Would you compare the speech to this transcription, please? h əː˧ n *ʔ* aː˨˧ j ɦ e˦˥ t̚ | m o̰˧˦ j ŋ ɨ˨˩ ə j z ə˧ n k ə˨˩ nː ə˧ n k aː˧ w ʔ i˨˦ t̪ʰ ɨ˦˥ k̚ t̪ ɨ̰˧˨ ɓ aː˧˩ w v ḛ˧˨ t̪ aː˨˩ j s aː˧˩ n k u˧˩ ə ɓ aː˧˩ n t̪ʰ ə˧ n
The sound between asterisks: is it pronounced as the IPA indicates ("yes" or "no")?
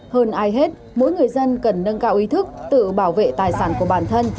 yes